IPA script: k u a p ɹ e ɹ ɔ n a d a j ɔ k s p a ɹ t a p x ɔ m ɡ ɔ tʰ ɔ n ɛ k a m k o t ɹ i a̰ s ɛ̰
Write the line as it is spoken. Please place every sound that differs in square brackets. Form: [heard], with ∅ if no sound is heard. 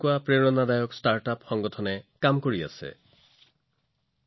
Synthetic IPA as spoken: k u a p ɹ e ɹ ɔ n a d a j ɔ k s [t] a ɹ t a p x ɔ [ŋ] ɡ ɔ tʰ ɔ n ɛ k a m k o [∅] ɹ i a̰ s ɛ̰